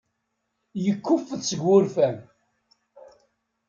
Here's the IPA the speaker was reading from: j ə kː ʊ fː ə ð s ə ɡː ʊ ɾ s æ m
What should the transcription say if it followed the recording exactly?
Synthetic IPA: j ə kː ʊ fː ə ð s ə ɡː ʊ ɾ f æ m

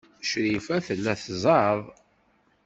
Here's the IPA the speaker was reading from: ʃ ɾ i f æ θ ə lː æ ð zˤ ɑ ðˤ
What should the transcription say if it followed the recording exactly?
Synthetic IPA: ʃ ɾ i f æ θ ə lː æ θ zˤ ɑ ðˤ

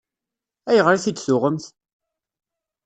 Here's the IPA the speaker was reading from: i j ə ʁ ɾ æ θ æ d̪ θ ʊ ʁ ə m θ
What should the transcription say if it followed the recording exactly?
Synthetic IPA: æ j ə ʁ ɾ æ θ i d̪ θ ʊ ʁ ə m θ

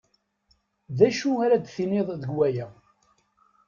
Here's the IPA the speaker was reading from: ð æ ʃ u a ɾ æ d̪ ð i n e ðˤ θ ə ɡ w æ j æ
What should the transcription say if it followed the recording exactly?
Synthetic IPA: ð æ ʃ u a ɾ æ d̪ θ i n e ðˤ ð ə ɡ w æ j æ

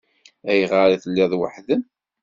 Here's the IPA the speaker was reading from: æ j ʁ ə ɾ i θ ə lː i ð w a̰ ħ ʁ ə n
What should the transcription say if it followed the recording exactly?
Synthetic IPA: æ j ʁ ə ɾ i θ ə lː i ð w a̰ ħ ð ə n

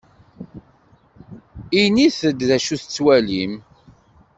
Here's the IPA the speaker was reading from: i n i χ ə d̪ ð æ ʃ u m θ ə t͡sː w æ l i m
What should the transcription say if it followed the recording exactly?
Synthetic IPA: i n i θ ə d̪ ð æ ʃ u θ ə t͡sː w æ l i m

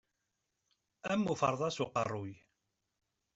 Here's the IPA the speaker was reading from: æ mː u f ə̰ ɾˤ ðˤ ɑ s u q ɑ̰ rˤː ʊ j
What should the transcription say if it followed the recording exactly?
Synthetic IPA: æ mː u f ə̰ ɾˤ ðˤ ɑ s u q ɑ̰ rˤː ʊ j

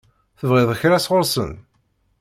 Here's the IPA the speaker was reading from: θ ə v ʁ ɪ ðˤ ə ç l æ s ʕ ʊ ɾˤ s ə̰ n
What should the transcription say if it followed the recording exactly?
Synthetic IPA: θ ə v ʁ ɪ ðˤ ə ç ɾ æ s ʁ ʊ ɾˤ s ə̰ n

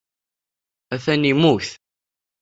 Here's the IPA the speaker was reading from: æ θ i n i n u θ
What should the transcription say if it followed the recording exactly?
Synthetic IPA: æ θ æ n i m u θ

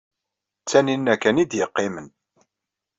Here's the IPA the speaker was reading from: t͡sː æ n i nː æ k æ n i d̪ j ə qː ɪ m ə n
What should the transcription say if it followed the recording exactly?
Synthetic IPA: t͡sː æ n i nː æ k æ n i d̪ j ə qː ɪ m ə n

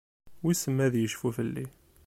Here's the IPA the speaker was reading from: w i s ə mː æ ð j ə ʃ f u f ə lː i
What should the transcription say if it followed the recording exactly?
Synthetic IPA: w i s ə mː æ ð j ə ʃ f u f ə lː i

